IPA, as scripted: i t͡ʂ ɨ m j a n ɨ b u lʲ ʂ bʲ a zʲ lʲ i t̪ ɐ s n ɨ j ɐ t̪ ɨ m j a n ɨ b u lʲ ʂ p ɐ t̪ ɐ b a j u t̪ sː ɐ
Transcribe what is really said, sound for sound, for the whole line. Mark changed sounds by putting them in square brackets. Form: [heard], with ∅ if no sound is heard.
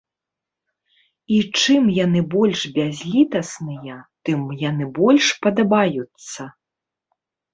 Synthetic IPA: i t͡ʂ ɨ m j a n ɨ b [ɔ] lʲ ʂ bʲ a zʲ lʲ i t̪ ɐ s n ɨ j ɐ t̪ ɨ m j a n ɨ b [ɔ] lʲ ʂ p ɐ [d̪] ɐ b a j u t̪ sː ɐ